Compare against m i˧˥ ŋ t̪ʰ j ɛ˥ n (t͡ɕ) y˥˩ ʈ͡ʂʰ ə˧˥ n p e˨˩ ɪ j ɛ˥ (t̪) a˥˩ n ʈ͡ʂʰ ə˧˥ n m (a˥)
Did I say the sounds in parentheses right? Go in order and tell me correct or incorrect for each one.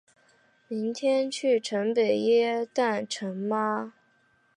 incorrect, correct, correct

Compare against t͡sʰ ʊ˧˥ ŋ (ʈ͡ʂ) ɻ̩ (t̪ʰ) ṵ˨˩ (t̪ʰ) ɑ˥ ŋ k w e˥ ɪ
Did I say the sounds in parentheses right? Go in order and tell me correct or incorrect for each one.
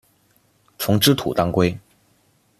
correct, correct, incorrect

